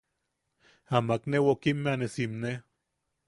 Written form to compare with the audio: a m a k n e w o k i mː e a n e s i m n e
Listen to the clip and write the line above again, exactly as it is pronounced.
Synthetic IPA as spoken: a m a k n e w o k i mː e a n e s i m n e